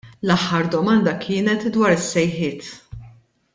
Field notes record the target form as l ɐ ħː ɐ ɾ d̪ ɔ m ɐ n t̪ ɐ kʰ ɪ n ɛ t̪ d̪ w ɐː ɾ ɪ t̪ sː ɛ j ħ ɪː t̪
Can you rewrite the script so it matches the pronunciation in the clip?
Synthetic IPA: l ɐ ħː ɐ ɾ d̪ ɔ m ɐ n d̪ ɐ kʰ ɪː n ɛ t̪ d̪ w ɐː ɾ ɪ sː ɛ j ħ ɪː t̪